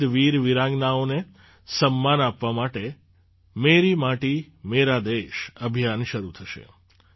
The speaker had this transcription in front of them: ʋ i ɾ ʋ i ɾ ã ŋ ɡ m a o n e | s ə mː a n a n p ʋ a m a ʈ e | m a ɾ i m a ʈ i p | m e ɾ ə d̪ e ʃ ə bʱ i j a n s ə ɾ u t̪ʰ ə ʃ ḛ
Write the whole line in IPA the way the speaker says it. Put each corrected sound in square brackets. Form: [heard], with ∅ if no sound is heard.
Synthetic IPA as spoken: ʋ i ɾ ʋ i ɾ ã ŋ ɡ [n] a o n e | s ə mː a n a [∅] p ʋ a m a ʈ e | m [e] ɾ i m a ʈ i [∅] | m e ɾ [a] d̪ e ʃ ə bʱ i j a n [ʃ] ə ɾ u t̪ʰ ə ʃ ḛ